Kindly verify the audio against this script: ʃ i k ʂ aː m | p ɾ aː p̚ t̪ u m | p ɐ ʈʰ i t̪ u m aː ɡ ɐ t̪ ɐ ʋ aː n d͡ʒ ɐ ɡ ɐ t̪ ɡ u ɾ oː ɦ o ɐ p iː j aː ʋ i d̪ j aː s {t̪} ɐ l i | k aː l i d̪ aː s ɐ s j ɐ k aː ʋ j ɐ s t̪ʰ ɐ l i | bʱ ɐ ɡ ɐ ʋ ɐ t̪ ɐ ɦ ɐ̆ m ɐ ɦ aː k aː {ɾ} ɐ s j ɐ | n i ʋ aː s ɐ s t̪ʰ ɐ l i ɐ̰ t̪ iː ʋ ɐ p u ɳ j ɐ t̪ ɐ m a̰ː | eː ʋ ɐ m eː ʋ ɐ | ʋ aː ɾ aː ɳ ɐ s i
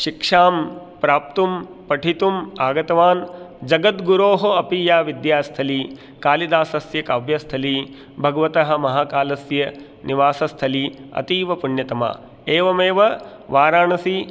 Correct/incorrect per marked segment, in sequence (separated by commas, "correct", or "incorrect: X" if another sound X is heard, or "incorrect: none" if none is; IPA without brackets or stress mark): incorrect: t̪ʰ, incorrect: l